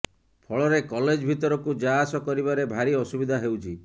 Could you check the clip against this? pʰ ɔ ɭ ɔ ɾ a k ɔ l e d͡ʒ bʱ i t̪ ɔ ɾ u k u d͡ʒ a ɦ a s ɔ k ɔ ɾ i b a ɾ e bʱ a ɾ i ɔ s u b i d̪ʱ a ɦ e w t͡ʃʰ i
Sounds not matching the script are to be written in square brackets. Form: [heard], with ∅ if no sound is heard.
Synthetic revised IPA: pʰ ɔ ɭ ɔ ɾ [e] k ɔ l e d͡ʒ bʱ i t̪ ɔ ɾ [ɔ] k u d͡ʒ a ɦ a s ɔ k ɔ ɾ i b a ɾ e bʱ a ɾ i ɔ s u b i d̪ʱ a ɦ e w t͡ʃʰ i